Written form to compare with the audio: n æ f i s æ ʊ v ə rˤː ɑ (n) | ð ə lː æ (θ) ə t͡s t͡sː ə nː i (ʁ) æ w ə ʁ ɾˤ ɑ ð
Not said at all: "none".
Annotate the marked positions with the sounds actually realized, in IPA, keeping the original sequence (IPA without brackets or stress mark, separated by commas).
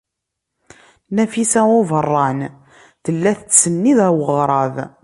n, θ, ð